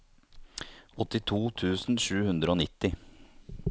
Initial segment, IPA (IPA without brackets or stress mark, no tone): ɔ